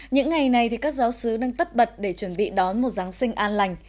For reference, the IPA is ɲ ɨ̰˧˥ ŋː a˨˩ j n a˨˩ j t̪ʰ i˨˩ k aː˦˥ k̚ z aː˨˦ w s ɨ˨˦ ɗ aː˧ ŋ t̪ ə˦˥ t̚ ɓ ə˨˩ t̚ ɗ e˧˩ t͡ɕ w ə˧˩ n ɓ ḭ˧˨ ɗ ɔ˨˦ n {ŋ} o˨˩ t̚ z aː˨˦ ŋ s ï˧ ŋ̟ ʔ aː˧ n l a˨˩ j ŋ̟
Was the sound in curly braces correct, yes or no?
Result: no